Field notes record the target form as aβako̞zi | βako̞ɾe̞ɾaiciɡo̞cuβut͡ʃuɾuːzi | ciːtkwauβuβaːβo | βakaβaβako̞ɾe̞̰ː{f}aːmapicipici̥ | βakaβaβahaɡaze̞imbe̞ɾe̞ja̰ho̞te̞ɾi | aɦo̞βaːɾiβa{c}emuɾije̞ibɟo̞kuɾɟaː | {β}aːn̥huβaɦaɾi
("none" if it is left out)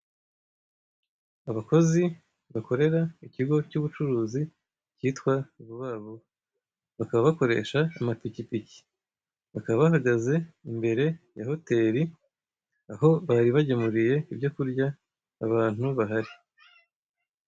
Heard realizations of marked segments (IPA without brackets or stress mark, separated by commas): ʃ, ɟ, β